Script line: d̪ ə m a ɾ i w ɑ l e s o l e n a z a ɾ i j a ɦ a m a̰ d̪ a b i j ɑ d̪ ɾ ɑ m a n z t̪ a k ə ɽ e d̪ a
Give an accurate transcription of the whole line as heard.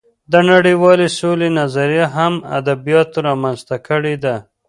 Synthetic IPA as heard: d̪ ə n a ɽ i w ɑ l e s o l e n a z a ɾ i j a ɦ a m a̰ d̪ a b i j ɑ t̪ ɾ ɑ m a n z t̪ a k ə ɽ e d̪ a